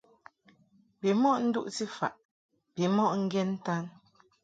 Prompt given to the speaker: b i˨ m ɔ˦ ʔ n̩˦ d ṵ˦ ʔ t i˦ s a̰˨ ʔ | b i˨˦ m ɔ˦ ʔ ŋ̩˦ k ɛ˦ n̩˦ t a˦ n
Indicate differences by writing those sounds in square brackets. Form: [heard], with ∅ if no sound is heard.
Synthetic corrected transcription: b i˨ m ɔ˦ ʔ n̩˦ d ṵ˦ ʔ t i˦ [f] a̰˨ ʔ | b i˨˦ m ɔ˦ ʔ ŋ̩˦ [ɡ] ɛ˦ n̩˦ t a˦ n